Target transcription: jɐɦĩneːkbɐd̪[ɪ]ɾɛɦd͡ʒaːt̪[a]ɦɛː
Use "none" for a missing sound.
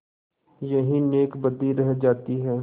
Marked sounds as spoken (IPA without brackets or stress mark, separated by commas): i, i